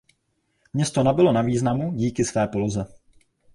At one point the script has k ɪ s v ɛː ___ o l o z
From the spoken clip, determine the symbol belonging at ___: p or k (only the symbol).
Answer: p